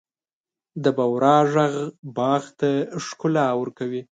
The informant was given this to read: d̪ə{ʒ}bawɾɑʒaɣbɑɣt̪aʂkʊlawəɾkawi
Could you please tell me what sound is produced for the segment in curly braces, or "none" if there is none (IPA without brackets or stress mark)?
none